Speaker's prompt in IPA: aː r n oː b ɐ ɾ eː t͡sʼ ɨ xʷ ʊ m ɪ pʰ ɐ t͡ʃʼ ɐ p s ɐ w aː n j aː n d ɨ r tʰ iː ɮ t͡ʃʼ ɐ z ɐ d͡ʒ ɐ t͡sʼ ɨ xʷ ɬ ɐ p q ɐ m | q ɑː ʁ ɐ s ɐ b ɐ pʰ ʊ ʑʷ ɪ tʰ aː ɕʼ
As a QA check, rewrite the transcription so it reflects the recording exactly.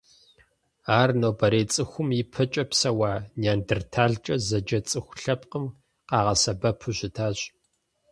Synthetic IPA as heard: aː r n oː b ɐ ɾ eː t͡sʼ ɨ xʷ ʊ m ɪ pʰ ɐ t͡ʃʼ ɐ p s ɐ w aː n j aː n d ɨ r tʰ aː ɮ t͡ʃʼ ɐ z ɐ d͡ʒ ɐ t͡sʼ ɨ xʷ ɬ ɐ p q ə m | q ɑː ʁ ɐ s ɐ b ɐ pʰ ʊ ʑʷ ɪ tʰ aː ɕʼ